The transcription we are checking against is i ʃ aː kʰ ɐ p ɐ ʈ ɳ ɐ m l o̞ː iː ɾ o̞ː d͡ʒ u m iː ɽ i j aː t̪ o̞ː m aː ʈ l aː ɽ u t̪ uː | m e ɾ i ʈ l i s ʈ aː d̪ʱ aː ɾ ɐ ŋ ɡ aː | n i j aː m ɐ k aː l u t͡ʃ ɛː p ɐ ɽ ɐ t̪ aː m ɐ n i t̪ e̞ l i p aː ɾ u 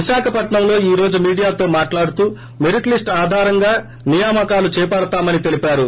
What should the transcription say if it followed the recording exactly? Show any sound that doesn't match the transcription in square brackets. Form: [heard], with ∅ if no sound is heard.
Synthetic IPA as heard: i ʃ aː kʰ ɐ p ɐ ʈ ɳ ɐ m l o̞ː iː ɾ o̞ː d͡ʒ u m iː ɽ i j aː t̪ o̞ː m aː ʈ l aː ɽ u t̪ uː | m e ɾ i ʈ l i s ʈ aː d̪ʱ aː ɾ ɐ ŋ ɡ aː | n i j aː m ɐ k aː l u t͡ʃ ɛː p ɐ ɽ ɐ t̪ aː m ɐ n i t̪ e̞ l i p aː ɾ u